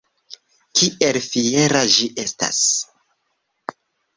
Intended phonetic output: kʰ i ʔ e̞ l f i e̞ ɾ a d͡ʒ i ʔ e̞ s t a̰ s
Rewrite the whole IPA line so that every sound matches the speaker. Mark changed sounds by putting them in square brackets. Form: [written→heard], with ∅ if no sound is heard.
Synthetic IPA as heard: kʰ i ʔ e̞ l f i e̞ ɾ a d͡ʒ i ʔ e̞ s t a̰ s